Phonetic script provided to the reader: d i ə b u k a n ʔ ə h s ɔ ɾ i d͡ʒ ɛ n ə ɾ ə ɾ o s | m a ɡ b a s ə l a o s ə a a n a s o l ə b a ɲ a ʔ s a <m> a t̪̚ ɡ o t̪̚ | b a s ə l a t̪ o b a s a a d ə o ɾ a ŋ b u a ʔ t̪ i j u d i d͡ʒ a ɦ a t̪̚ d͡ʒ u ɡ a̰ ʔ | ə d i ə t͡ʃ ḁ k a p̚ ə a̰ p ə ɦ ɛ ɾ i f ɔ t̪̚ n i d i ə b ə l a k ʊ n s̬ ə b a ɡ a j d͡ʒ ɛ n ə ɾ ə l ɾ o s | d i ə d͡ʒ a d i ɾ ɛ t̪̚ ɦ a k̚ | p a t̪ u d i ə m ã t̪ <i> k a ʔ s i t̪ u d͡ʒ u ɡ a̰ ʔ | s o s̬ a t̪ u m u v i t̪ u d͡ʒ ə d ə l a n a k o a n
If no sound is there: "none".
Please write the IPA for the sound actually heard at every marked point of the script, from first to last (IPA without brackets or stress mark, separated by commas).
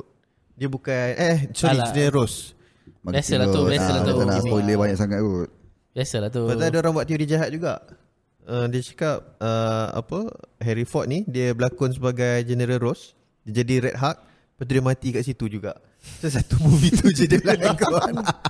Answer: ŋ, i